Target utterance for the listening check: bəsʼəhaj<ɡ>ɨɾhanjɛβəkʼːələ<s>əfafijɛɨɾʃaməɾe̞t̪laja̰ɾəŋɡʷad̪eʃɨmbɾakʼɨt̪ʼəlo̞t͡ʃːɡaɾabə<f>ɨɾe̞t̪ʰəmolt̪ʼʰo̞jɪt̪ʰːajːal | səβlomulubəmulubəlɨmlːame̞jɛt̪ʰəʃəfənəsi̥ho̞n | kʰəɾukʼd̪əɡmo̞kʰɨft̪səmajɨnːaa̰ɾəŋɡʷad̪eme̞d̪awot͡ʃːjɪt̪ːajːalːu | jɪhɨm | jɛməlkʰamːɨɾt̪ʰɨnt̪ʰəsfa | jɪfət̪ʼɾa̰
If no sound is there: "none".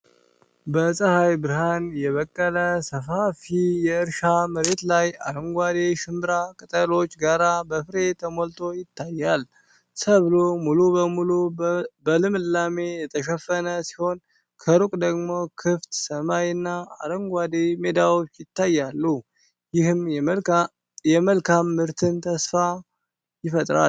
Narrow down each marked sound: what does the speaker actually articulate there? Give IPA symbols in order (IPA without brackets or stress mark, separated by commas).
b, s, f